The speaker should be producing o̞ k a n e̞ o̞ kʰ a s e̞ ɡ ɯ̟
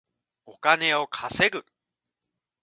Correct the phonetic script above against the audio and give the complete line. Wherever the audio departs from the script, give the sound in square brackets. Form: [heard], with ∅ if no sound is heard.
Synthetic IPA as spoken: o̞ k a n e̞ o̞ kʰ a s e̞ ɡ ɯ̟